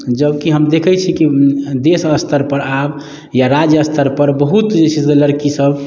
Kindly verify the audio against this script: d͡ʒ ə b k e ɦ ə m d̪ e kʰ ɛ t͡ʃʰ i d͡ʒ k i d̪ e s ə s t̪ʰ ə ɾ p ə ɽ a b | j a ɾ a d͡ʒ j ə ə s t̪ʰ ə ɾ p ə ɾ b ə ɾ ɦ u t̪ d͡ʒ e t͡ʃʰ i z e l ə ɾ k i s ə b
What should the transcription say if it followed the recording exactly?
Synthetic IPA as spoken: d͡ʒ ə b k i ɦ ə m d̪ e kʰ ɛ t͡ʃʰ i k i d̪ e s ə s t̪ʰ ə ɾ p ə ɾ a b | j a ɾ a d͡ʒ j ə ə s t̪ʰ ə ɾ p ə ɾ b ə ɦ u t̪ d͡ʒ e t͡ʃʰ i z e l ə ɾ k i s ə b